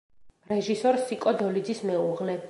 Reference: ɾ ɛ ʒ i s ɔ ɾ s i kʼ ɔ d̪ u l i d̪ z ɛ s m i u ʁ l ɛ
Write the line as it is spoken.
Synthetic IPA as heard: ɾ ɛ ʒ i s ɔ ɾ s i kʼ ɔ d̪ ɔ l i d̪ z i s m ɛ u ʁ l ɛ